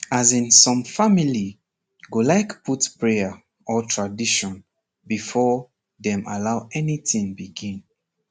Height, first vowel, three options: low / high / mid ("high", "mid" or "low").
low